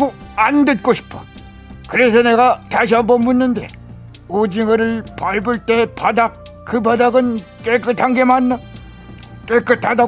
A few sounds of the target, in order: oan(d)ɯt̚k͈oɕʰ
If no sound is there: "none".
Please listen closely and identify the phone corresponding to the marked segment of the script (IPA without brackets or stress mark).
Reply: d